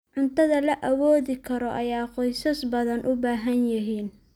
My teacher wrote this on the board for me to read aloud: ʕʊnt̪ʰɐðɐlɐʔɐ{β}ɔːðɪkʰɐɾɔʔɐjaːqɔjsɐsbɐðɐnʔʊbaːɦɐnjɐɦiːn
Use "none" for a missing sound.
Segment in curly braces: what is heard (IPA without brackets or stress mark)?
w